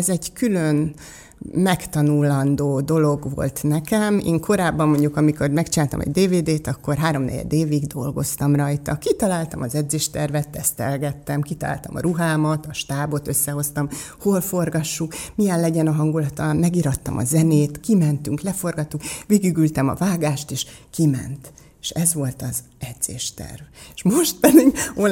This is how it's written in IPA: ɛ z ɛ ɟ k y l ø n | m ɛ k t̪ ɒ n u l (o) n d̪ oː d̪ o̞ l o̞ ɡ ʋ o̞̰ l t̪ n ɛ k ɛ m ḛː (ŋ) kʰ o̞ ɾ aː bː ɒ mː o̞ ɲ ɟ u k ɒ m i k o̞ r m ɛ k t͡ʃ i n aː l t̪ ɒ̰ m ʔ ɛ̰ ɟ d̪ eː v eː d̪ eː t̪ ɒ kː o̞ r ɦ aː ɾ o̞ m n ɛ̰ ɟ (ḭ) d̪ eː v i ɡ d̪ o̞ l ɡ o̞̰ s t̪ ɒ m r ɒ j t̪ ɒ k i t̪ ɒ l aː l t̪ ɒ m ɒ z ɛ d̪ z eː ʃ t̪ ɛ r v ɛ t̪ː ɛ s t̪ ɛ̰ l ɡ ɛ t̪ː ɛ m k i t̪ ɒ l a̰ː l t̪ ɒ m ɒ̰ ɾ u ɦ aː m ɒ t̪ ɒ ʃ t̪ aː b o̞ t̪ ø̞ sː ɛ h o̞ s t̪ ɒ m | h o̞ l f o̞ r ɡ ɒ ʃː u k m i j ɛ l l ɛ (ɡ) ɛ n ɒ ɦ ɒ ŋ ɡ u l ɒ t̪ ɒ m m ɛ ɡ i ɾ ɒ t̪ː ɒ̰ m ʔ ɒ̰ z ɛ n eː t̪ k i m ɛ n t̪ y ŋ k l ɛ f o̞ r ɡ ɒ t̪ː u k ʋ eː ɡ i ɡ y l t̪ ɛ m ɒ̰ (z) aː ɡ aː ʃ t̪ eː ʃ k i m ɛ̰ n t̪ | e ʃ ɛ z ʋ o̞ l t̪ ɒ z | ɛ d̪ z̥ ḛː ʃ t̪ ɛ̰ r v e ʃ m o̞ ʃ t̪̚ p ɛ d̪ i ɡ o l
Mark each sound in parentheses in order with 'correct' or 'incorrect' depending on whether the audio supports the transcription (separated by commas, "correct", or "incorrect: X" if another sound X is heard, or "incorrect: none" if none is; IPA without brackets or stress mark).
incorrect: ɒ, correct, incorrect: ɛ̰, incorrect: ɟ, incorrect: v